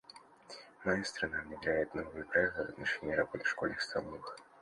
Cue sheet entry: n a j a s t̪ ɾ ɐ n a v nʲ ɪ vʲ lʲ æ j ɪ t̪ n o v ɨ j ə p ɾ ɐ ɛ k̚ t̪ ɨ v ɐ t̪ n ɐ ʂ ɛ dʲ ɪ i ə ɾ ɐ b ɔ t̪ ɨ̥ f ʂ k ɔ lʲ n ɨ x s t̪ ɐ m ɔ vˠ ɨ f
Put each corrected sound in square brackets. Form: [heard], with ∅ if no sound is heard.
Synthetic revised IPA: n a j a s t̪ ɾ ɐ n a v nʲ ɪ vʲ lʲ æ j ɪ t̪ n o v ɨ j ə p ɾ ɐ ɛ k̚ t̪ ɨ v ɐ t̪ n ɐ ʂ ɛ [nʲ] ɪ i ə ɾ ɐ b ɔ t̪ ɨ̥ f ʂ k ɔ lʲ n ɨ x s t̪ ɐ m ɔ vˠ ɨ [x]